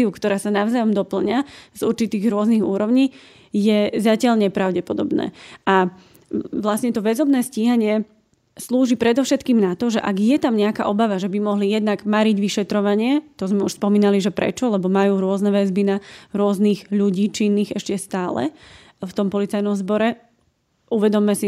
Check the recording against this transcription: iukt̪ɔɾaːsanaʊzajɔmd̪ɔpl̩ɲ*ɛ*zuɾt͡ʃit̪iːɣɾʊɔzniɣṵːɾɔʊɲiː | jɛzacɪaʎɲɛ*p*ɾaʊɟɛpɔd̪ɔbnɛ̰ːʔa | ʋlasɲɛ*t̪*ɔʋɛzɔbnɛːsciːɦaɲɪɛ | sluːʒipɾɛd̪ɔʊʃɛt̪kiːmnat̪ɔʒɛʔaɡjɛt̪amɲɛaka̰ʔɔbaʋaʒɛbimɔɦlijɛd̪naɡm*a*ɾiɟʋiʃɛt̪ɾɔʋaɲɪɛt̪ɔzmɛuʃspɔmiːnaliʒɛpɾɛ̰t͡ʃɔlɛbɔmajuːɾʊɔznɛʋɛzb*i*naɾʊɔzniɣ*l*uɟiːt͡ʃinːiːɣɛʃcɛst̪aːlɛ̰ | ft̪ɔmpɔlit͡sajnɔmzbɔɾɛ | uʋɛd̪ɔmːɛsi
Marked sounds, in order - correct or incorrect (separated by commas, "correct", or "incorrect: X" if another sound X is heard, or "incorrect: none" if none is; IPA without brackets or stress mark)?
incorrect: a, correct, correct, correct, correct, incorrect: ʎ